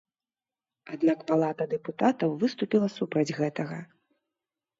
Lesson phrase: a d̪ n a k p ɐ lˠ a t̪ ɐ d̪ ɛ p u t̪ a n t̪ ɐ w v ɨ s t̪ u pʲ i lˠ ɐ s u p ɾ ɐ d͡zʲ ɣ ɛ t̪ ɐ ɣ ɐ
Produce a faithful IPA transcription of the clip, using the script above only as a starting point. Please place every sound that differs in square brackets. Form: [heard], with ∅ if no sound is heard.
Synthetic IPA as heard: a d̪ n a k p [a] lˠ a t̪ ɐ d̪ ɛ p u t̪ a [∅] t̪ ɐ w v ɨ s t̪ u pʲ i lˠ ɐ s u p ɾ ɐ d͡zʲ ɣ ɛ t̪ ɐ ɣ ɐ